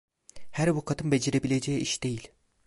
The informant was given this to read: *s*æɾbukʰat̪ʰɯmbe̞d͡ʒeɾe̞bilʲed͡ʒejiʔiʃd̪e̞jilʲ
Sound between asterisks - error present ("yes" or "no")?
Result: yes